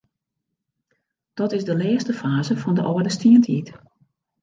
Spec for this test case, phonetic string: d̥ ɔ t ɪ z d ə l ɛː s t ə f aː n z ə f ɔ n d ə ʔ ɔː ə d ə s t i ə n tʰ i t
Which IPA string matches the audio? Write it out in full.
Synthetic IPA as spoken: d̥ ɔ t ɪ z d ə l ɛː s t ə f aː z ə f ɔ n d ə ʔ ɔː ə d ə s t i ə n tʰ i t